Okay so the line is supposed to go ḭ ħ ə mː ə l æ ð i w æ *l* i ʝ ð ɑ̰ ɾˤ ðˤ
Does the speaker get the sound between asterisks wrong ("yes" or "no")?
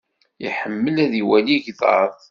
no